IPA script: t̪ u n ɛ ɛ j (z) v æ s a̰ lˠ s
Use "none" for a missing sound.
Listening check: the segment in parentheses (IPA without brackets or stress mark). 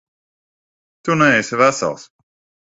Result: s